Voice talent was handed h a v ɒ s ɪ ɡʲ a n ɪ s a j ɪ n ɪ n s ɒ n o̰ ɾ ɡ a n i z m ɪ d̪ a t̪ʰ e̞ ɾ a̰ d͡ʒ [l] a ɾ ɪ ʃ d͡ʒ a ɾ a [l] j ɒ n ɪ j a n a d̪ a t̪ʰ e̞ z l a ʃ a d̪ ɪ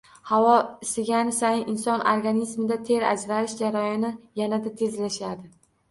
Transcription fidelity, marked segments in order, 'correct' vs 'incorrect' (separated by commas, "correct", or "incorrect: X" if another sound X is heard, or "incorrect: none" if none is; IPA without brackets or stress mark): incorrect: ɾ, incorrect: none